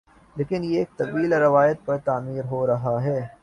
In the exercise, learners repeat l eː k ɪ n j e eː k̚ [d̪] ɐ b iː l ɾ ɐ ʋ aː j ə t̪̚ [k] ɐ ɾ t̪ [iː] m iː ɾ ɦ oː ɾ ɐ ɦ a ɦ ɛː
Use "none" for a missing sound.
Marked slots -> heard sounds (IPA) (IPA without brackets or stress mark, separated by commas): t̪, p, aː